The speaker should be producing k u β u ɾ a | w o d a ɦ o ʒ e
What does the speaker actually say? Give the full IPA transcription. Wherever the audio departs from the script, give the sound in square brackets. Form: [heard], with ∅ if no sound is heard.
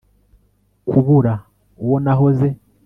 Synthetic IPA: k u β u ɾ a | w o [n] a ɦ o [z] e